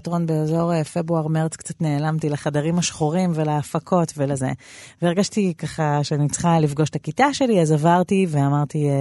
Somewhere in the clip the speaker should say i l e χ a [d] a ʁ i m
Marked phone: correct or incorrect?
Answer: correct